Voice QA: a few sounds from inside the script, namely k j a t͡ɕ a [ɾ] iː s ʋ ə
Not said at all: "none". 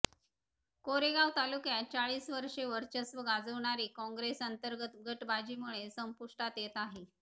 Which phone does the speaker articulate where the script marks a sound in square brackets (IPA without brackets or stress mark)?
ɭ